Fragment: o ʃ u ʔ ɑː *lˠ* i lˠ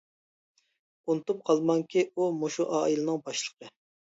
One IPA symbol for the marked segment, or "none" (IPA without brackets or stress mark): none